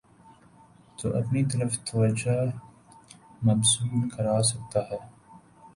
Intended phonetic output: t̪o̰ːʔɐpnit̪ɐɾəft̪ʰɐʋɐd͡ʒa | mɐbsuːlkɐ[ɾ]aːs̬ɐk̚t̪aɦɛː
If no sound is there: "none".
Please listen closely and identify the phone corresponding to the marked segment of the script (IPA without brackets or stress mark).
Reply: ɾ